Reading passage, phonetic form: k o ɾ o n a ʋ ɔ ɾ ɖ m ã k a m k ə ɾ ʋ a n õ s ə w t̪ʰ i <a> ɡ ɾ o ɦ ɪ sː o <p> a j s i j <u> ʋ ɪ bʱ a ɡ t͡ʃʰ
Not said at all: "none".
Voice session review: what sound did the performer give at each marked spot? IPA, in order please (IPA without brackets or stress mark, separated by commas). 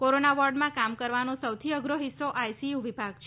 ə, ʔ, u